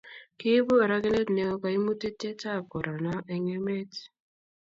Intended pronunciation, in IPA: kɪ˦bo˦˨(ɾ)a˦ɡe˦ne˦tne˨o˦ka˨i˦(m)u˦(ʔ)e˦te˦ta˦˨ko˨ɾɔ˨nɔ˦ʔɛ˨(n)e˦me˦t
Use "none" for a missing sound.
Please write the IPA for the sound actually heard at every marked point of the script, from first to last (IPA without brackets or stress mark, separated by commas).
ɾ, m, t, ŋ